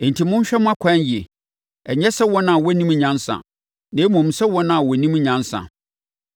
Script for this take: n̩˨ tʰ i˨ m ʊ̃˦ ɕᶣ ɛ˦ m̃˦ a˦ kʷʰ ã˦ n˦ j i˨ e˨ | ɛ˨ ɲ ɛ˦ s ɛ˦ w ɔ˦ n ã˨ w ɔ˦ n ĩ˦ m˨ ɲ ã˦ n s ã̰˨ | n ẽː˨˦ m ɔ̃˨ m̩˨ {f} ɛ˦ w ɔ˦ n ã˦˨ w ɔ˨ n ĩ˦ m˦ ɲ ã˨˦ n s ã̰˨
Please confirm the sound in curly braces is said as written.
no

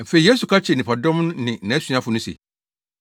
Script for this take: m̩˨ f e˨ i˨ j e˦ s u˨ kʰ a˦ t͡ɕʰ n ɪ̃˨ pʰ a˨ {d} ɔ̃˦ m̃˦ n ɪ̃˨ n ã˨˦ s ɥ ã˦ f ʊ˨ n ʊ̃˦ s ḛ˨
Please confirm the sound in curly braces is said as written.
yes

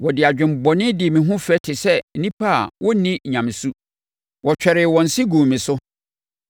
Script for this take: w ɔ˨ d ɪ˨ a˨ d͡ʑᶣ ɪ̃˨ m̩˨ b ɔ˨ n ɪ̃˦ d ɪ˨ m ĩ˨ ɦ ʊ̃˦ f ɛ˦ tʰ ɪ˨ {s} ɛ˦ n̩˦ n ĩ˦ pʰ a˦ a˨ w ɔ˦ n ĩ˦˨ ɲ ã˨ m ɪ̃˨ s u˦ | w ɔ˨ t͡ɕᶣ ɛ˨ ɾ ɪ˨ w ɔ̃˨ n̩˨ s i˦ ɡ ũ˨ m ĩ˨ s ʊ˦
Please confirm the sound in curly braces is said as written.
yes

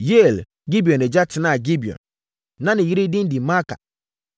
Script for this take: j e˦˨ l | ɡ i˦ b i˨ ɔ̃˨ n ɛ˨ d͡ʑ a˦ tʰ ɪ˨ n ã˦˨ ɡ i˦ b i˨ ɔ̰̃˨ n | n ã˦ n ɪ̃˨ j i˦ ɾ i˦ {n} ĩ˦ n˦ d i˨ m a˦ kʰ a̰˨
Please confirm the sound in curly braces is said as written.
no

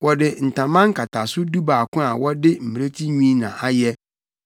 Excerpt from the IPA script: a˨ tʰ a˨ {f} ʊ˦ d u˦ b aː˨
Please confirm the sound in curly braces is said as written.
no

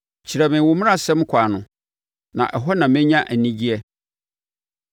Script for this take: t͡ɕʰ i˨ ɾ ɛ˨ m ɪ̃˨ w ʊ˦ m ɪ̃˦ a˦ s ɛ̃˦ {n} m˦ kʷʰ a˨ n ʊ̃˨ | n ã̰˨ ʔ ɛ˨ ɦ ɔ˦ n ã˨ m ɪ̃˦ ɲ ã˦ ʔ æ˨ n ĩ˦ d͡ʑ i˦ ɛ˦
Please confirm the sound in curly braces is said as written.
no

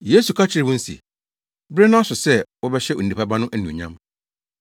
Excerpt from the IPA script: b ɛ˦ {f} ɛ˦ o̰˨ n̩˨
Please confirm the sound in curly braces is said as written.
no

